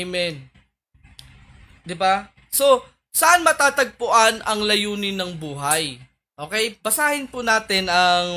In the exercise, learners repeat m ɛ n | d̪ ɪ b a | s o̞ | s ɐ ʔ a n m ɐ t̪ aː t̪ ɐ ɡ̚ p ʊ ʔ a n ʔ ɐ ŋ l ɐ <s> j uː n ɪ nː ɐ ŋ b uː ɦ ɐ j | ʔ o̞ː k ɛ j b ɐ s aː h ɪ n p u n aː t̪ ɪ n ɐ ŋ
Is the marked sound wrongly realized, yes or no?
yes